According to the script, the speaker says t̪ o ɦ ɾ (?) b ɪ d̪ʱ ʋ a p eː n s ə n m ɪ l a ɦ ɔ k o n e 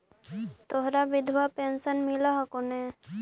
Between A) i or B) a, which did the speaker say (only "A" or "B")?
B